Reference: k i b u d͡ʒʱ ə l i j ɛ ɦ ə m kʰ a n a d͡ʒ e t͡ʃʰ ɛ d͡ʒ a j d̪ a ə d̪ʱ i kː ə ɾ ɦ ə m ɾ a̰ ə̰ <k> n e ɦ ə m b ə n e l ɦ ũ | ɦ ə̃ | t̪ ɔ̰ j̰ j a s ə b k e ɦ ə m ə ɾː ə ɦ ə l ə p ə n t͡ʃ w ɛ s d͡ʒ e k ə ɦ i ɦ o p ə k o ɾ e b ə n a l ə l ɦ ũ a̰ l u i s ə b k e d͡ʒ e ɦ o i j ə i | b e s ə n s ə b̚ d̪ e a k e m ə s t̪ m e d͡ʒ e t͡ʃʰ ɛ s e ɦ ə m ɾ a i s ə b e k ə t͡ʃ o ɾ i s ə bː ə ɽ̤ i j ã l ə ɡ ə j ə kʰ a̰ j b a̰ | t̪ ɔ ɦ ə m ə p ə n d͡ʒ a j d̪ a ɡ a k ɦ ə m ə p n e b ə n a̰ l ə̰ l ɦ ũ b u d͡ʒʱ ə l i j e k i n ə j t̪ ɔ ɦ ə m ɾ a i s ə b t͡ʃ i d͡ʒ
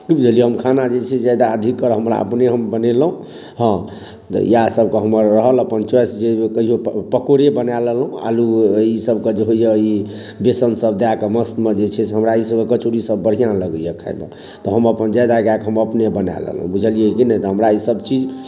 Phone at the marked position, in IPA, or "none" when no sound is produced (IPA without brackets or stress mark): p